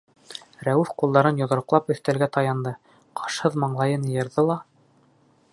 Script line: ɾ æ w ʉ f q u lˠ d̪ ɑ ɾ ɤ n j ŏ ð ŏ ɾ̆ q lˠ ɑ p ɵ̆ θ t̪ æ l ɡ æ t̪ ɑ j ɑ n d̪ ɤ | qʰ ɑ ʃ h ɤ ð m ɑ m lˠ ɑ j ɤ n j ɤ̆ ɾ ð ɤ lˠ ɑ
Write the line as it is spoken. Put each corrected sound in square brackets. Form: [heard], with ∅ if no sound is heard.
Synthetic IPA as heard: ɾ æ w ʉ f q u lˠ d̪ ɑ ɾ ɤ n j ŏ ð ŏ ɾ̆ q lˠ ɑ p ɵ̆ θ t̪ æ l ɡ æ t̪ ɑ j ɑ n d̪ ɤ | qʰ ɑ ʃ h ɤ ð m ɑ [ɴ] lˠ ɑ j ɤ n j ɤ̆ ɾ ð ɤ lˠ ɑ